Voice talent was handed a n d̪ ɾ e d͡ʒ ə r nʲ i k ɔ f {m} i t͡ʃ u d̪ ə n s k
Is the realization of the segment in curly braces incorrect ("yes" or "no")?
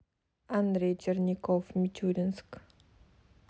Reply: no